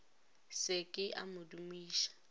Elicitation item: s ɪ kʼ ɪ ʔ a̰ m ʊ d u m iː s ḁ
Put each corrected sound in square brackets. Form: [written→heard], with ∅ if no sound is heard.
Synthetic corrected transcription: s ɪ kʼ ɪ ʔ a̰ m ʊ d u m iː [s→ʃ] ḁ